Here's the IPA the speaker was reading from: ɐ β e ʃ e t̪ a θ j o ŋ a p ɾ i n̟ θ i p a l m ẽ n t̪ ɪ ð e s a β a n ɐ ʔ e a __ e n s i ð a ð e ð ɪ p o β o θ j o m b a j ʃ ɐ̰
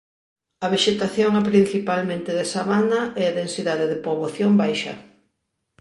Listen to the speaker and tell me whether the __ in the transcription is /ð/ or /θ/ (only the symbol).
ð